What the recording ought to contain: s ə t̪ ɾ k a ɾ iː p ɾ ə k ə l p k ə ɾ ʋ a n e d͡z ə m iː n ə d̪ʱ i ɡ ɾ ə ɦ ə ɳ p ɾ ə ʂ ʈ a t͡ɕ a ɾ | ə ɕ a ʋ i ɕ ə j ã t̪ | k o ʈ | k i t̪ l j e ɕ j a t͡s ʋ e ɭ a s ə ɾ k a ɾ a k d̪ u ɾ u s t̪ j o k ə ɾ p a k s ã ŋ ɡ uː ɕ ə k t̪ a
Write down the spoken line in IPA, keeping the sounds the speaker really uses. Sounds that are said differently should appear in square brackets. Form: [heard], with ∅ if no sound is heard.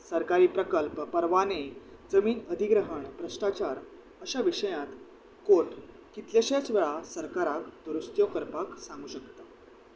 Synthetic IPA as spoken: s ə [∅] ɾ k a ɾ iː p ɾ ə k ə l p [p] ə ɾ ʋ a n e d͡z ə m iː n ə d̪ʱ i ɡ ɾ ə ɦ ə ɳ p ɾ ə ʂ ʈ a t͡ɕ a ɾ | ə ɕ a ʋ i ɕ ə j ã t̪ | k o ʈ | k i t̪ l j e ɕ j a t͡s ʋ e ɭ a s ə ɾ k a ɾ a k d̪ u ɾ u s t̪ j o k ə ɾ p a k s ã ŋ ɡ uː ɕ ə k t̪ a